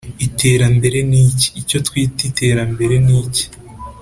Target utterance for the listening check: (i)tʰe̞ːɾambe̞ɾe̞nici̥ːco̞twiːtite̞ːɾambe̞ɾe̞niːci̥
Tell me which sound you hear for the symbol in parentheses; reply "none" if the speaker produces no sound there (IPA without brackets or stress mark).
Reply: i